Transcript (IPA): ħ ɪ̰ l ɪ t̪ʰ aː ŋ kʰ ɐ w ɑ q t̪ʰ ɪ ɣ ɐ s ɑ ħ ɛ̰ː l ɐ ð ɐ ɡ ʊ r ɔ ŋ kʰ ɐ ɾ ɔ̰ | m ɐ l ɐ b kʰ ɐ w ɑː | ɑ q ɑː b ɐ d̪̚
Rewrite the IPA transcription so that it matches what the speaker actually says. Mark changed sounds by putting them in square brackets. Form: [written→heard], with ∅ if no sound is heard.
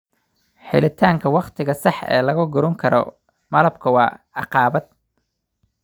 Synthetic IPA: ħ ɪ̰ l ɪ t̪ʰ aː ŋ kʰ ɐ w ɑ q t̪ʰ ɪ ɣ ɐ s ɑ ħ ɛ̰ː l ɐ [ð→ɣ] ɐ ɡ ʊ [r→ɾ] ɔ ŋ kʰ ɐ ɾ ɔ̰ | m ɐ l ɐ b kʰ ɐ w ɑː | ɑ q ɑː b ɐ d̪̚